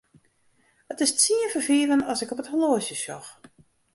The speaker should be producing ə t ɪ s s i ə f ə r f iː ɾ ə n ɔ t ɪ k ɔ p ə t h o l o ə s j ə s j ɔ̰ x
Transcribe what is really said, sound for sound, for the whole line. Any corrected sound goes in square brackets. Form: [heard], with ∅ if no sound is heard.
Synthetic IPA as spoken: ə t ɪ s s i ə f ə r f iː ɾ ə n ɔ [s] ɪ k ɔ p ə t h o l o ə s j ə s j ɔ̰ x